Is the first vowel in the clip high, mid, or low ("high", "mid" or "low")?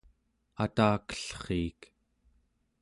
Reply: low